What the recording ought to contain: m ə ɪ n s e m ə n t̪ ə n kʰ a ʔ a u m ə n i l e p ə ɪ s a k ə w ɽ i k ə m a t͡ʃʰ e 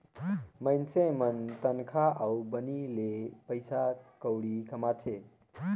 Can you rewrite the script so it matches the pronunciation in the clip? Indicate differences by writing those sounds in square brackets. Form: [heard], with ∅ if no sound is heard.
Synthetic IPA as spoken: m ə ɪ n s e m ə n t̪ ə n kʰ a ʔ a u [b] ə n i l e p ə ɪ s a k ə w ɽ i k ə m a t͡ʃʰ e